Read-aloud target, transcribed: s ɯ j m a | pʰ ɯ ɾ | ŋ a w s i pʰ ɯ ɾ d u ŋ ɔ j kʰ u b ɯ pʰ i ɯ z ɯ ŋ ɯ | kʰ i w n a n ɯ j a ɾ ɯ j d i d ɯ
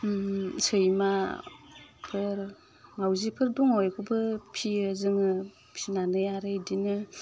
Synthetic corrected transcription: s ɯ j m a | pʰ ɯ ɾ | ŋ a w z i pʰ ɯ ɾ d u ŋ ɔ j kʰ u b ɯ pʰ i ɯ z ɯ ŋ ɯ | pʰ i n a n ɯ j a ɾ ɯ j d i n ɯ